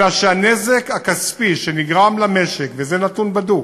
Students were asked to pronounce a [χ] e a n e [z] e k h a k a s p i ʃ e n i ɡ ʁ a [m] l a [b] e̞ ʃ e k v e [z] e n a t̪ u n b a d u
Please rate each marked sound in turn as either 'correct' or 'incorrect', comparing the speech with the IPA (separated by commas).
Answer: incorrect, correct, correct, incorrect, correct